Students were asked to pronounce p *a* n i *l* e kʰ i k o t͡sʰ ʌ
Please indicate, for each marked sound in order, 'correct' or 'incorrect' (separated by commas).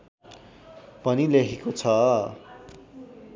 incorrect, correct